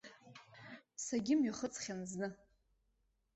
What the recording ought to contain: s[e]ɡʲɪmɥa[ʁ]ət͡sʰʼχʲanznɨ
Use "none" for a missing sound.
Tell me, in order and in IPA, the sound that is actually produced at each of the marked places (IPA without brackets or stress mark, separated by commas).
a, χ